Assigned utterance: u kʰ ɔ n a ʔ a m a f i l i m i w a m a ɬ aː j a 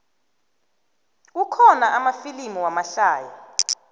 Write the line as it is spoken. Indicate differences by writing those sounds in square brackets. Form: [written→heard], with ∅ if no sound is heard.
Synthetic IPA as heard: u kʰ ɔ n a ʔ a m a f i l i m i w a m a ɬ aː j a